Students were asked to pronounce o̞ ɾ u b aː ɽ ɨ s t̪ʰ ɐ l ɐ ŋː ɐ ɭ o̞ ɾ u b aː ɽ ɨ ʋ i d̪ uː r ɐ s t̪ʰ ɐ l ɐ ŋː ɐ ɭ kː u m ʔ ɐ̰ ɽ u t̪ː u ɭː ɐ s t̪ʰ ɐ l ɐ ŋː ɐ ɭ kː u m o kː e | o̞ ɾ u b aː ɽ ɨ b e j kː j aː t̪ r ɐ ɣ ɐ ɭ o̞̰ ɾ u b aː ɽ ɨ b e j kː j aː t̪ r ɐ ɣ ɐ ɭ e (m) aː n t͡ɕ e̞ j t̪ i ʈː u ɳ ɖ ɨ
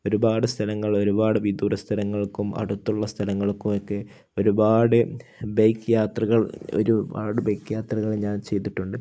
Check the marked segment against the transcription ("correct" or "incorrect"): incorrect